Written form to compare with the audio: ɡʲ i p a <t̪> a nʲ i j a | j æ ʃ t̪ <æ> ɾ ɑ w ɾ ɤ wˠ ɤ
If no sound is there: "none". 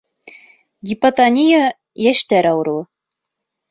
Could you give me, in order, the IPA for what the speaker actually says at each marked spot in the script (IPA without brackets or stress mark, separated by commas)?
t̪, æ